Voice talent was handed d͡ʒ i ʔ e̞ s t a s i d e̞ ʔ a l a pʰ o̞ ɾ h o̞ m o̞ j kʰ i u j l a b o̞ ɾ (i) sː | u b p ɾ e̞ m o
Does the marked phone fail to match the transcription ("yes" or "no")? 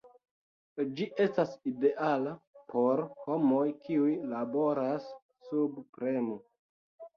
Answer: yes